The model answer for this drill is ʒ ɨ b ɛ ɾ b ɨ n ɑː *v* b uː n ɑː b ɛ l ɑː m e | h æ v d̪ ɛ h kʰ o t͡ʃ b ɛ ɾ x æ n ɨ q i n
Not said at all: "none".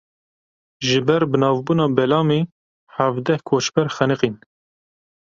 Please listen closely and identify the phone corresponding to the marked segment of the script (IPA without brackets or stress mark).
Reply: v